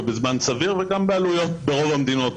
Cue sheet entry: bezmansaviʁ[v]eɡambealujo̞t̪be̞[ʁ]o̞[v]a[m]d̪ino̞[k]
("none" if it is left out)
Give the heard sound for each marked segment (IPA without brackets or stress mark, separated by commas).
v, ʁ, v, m, t